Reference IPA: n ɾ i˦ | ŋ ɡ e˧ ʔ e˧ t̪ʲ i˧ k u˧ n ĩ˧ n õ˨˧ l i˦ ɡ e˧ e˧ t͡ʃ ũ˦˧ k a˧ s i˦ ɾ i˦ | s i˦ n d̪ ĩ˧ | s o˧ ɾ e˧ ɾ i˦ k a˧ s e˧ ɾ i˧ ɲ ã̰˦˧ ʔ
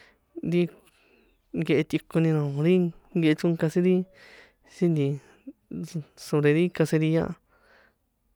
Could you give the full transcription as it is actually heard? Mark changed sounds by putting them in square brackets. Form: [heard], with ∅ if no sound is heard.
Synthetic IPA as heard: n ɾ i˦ | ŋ ɡ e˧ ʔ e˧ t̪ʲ i˧ k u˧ n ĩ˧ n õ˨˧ [ɾ] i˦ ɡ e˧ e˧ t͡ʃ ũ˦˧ k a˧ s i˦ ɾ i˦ | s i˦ n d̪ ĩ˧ | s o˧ ɾ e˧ ɾ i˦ k a˧ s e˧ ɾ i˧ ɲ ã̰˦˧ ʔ